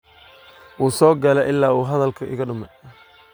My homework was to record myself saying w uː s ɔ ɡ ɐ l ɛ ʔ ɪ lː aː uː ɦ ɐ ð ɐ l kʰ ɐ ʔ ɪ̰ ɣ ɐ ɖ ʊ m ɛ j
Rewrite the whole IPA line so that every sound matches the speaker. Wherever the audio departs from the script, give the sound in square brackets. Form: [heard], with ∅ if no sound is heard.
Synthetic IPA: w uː s [ɔː] ɡ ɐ l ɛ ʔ ɪ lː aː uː ɦ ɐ ð ɐ l kʰ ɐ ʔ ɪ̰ ɣ ɐ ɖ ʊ m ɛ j